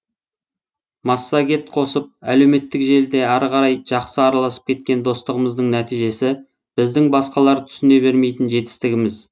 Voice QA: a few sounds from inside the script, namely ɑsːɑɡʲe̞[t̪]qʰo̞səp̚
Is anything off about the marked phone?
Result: no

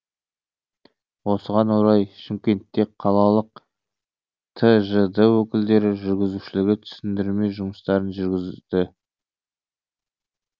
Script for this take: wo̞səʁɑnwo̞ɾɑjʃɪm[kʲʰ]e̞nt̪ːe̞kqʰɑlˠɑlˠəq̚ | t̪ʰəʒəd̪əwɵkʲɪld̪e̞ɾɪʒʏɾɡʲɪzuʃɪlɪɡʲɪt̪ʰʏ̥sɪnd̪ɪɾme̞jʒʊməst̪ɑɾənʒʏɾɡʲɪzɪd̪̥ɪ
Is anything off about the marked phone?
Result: yes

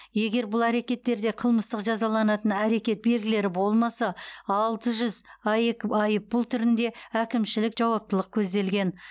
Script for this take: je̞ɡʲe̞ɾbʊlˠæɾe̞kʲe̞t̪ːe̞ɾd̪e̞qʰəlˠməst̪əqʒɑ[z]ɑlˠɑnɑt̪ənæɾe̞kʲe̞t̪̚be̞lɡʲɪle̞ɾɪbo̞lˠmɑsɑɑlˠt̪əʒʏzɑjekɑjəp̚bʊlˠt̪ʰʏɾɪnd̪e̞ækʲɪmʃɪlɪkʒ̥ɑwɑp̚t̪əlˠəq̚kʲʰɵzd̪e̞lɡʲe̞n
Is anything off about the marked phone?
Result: no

